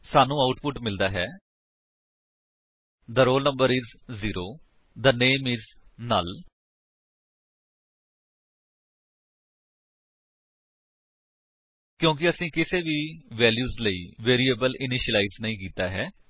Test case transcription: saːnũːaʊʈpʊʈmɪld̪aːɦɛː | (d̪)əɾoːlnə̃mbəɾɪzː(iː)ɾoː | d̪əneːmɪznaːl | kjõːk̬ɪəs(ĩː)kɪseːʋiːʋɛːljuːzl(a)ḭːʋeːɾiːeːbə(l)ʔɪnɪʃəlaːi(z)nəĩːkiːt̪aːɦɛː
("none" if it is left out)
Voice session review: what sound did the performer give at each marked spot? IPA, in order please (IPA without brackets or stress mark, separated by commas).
d̪, iː, ĩː, ə, l, z